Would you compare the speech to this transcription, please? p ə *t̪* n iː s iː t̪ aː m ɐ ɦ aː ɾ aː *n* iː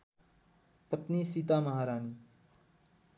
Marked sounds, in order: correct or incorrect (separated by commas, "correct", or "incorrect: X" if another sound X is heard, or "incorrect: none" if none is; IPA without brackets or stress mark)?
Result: correct, correct